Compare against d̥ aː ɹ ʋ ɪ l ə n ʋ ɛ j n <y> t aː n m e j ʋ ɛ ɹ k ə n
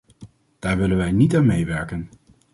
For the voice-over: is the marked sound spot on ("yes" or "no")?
no